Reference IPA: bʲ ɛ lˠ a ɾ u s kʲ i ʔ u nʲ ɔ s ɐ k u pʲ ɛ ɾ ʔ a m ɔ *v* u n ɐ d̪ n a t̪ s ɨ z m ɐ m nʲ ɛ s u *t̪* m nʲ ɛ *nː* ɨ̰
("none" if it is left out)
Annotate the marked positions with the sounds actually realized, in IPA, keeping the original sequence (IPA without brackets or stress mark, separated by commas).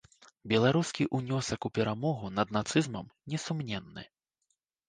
ɣ, none, nː